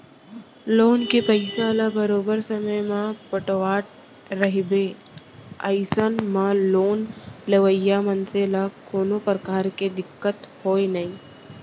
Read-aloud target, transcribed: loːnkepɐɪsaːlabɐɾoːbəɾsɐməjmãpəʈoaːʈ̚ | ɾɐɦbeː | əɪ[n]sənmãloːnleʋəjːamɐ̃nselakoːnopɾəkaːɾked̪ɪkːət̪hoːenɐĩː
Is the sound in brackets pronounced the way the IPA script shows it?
no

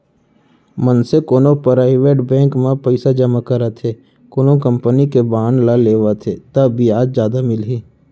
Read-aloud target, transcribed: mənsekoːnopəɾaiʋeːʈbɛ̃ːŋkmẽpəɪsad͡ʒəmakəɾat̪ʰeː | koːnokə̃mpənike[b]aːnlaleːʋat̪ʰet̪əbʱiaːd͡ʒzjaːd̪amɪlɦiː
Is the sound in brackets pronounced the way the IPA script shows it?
yes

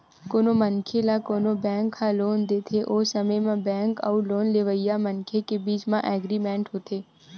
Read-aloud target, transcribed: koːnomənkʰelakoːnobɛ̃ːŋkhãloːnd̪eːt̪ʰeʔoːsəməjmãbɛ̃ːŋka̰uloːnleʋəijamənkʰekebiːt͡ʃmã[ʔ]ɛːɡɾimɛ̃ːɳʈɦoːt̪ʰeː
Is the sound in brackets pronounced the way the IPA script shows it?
yes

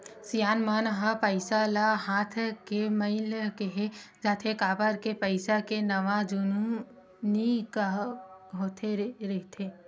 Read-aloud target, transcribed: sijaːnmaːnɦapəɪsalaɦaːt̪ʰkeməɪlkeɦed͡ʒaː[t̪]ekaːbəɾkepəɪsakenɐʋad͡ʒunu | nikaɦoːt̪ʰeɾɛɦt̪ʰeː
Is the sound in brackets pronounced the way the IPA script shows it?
no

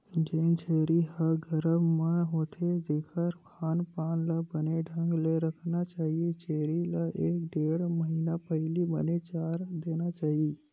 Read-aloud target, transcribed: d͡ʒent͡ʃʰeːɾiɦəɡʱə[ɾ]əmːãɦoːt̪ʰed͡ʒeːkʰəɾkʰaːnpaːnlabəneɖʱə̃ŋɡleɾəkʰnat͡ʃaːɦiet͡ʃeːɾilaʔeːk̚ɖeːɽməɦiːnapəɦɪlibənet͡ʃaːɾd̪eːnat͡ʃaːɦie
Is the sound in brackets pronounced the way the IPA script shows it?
yes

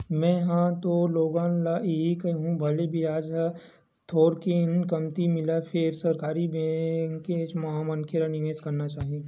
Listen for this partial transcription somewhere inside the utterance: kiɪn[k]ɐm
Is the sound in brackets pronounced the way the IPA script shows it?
yes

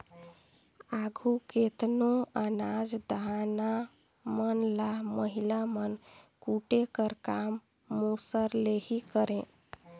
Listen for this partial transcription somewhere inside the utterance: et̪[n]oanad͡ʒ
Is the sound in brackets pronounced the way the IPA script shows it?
yes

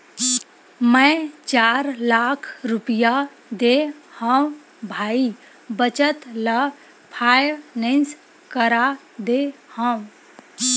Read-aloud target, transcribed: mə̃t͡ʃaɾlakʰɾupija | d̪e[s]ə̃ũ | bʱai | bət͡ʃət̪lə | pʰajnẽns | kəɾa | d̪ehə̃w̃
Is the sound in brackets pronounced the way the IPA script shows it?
no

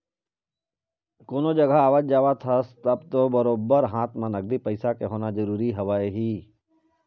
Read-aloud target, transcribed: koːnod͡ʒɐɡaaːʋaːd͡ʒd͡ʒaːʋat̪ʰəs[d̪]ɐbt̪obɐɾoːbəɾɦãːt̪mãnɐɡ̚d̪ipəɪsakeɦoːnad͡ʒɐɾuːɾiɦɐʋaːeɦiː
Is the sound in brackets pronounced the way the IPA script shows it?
no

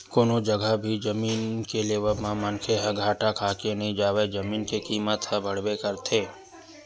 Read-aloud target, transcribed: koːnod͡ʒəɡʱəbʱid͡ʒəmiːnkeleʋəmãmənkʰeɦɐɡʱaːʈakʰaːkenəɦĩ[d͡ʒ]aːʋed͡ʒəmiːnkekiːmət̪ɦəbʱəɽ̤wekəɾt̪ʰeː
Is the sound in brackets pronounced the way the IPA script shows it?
yes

